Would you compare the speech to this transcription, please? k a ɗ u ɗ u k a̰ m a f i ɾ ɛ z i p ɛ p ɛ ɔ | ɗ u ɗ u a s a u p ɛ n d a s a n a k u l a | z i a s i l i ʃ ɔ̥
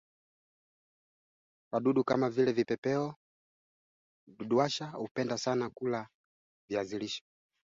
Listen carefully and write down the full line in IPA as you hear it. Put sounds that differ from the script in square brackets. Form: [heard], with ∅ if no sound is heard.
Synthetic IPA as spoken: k a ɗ u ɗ u k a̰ m a [v] i [l] ɛ [v] i p ɛ p ɛ ɔ | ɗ u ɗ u a [ʃ] a u p ɛ n d a s a n a k u l a | [v] i a [z] i l i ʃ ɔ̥